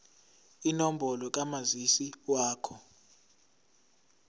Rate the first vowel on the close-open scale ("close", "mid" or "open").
close